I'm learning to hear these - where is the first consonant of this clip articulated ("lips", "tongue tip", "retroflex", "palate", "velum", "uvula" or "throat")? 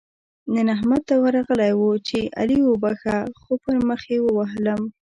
tongue tip